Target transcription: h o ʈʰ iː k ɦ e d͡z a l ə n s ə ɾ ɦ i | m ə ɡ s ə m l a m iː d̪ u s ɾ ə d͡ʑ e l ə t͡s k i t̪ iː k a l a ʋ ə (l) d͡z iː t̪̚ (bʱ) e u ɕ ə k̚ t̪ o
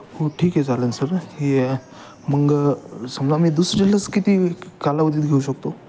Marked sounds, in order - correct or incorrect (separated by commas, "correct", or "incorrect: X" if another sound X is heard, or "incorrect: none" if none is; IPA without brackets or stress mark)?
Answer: incorrect: none, incorrect: ɡʱ